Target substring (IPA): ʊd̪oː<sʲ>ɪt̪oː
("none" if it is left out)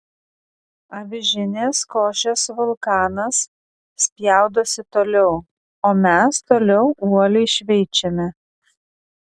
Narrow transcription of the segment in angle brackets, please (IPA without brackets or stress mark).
sʲ